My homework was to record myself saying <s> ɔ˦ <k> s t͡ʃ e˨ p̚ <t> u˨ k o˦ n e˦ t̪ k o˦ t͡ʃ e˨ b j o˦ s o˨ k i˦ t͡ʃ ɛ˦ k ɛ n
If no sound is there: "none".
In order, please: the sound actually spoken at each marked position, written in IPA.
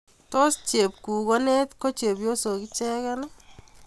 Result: t, none, k

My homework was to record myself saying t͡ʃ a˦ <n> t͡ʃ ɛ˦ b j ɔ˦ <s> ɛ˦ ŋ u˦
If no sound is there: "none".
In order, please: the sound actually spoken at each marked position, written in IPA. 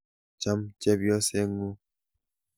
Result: m, s

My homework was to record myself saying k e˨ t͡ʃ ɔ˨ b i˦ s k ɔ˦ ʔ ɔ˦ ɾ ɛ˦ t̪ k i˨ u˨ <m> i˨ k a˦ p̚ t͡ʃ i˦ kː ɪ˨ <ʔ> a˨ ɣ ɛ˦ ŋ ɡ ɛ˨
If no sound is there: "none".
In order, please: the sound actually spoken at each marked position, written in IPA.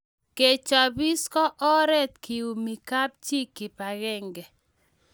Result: m, p

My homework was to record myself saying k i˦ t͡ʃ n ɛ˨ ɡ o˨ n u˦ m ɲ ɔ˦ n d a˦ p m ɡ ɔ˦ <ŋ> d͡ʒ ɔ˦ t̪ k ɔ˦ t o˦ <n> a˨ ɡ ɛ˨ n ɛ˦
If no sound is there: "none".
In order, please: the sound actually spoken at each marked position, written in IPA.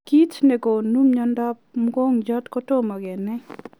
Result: ŋ, m

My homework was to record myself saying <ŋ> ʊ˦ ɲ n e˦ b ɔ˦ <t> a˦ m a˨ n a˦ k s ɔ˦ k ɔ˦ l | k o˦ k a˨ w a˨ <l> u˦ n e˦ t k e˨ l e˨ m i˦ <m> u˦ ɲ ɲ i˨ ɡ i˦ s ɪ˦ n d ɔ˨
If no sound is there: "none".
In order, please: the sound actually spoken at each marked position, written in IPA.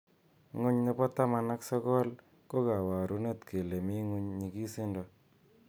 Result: ŋ, t, ɾ, ŋ

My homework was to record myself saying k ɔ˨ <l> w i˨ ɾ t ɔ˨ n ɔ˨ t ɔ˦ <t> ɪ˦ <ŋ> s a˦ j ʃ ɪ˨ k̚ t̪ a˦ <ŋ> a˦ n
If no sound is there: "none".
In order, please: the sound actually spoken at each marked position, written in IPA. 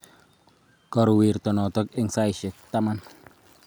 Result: ɾ, k, ŋ, m

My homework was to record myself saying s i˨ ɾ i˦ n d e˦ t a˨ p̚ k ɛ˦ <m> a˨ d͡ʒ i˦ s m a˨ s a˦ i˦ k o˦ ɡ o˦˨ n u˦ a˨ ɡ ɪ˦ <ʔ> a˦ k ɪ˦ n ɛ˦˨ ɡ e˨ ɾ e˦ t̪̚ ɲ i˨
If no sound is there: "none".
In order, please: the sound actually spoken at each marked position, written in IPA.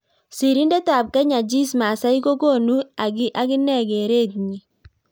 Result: ɲ, ʔ

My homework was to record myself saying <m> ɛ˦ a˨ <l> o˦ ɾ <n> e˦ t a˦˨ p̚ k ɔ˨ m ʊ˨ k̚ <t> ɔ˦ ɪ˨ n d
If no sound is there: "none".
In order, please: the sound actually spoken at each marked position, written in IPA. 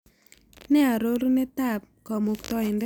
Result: n, ɾ, n, t

